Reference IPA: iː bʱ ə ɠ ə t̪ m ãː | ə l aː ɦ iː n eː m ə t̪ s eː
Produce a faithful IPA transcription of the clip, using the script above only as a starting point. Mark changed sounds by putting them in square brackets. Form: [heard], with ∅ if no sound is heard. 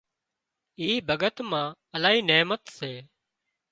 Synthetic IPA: iː bʱ ə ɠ ə t̪ m ãː | ə l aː ɦ iː n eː m ə t̪ s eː